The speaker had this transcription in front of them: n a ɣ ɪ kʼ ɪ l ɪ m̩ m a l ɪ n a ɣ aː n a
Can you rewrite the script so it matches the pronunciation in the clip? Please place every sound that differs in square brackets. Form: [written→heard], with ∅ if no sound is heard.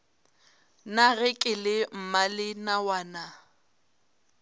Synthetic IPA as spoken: n a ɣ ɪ kʼ ɪ l ɪ m̩ m a l ɪ n a [ɣ→w] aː n a